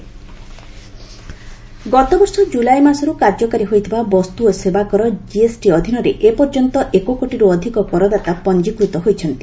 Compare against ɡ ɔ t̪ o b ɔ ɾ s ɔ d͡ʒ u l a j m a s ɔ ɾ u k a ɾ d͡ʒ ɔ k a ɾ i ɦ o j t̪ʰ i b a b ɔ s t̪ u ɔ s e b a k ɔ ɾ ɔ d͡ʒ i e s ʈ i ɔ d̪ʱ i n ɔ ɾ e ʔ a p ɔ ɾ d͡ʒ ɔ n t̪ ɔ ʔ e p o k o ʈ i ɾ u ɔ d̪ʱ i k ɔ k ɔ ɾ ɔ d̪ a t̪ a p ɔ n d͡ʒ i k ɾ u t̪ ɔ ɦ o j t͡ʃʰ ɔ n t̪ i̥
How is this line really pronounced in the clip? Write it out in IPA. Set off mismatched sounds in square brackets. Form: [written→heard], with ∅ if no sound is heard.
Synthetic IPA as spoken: ɡ ɔ t̪ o b ɔ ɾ s ɔ d͡ʒ u l a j m a s ɔ ɾ u k a ɾ d͡ʒ ɔ k a ɾ i ɦ o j t̪ʰ i b a b ɔ s t̪ u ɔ s e b a k ɔ ɾ ɔ d͡ʒ i e s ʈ i ɔ d̪ʱ i n ɔ ɾ e ʔ [a→e] p ɔ ɾ d͡ʒ ɔ n t̪ ɔ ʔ e [p→k] o k o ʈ i ɾ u ɔ d̪ʱ i k ɔ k ɔ ɾ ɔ d̪ a t̪ a p ɔ n d͡ʒ i k ɾ u t̪ ɔ ɦ o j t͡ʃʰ ɔ n t̪ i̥